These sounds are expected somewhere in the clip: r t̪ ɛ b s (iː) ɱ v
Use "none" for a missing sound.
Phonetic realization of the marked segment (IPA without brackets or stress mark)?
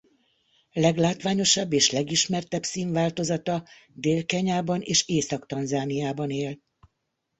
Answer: iː